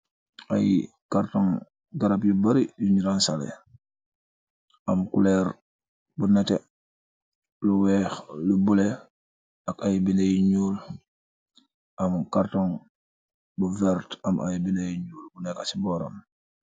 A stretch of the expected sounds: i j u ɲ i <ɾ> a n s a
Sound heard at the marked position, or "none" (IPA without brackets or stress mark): ɾ